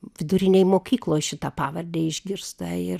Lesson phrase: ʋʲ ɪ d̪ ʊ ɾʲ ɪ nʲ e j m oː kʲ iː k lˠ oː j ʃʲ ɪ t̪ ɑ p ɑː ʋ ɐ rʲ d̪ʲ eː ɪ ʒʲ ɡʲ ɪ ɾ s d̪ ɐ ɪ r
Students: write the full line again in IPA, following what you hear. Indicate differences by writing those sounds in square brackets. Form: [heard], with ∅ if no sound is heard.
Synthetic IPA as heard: ʋʲ ɪ d̪ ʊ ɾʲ ɪ nʲ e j m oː kʲ iː k lˠ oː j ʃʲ ɪ t̪ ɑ p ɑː ʋ ɐ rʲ d̪ʲ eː ɪ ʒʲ ɡʲ ɪ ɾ s [t̪] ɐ ɪ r